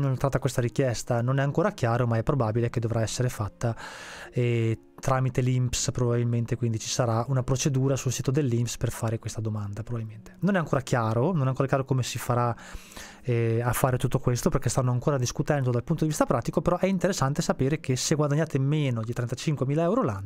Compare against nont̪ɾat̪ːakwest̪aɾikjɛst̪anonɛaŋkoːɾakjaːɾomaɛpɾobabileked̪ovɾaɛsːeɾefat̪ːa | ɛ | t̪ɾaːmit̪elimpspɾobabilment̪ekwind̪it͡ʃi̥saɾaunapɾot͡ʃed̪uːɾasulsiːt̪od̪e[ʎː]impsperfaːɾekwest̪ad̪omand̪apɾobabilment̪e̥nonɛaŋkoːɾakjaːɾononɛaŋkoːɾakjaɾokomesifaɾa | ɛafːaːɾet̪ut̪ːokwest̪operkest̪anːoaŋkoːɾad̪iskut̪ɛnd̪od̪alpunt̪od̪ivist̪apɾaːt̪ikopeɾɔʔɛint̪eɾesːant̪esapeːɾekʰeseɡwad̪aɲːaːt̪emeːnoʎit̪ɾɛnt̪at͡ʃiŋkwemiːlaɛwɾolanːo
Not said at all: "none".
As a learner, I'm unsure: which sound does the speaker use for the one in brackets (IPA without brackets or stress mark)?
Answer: lː